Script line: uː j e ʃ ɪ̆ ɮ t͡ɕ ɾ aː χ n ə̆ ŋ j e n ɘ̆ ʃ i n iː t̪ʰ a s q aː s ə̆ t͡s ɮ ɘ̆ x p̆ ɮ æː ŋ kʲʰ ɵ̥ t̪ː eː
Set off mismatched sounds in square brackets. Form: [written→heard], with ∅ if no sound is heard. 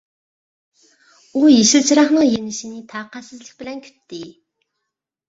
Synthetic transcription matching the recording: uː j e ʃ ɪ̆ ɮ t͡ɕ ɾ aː χ n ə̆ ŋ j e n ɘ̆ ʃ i n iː t̪ʰ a [s→∅] q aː s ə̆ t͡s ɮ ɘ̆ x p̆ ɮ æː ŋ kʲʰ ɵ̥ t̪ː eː

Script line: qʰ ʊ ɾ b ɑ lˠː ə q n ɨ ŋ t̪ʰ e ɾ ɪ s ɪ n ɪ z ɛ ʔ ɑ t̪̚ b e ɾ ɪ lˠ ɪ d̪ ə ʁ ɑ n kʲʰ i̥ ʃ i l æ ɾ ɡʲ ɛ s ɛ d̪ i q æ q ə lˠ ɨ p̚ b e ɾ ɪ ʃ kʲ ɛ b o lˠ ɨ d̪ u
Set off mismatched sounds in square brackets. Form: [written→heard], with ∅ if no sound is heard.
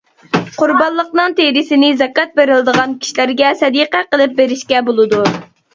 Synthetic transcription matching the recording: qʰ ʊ ɾ b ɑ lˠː ə q n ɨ ŋ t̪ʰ e ɾ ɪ s ɪ n ɪ z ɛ [ʔ→k] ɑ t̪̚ b e ɾ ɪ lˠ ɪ d̪ ə ʁ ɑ n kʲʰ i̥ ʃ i l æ ɾ ɡʲ ɛ s ɛ d̪ i q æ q ə lˠ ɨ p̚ b e ɾ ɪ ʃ kʲ ɛ b o lˠ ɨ d̪ u

